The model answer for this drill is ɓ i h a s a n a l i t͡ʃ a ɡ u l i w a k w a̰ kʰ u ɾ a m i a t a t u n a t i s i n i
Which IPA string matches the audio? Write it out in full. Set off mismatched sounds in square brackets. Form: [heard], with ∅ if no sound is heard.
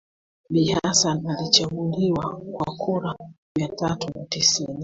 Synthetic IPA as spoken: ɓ i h a s a n a l i t͡ʃ a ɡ u l i w a k w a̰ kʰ u ɾ a m i a t a t u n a t i s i n i

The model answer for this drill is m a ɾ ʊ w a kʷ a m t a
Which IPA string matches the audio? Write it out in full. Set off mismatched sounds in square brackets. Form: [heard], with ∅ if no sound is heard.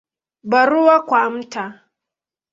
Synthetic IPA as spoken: [b] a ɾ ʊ w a kʷ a m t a

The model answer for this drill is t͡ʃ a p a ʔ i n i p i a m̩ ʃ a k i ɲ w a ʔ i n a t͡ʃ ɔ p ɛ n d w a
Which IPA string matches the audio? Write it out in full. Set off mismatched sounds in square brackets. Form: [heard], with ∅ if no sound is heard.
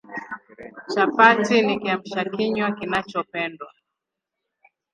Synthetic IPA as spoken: t͡ʃ a p a [t] i n i [k] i a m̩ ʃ a k i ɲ w a [k] i n a t͡ʃ ɔ p ɛ n d w a

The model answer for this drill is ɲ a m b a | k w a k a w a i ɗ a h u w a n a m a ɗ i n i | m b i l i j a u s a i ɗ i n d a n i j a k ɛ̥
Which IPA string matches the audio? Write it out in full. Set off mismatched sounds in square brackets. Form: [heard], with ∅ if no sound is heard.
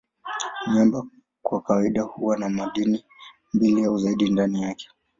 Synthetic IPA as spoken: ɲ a m b a | k w a k a w a i ɗ a h u w a n a m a ɗ i n i | m b i l i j a u [z] a i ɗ i n d a n i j a k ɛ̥

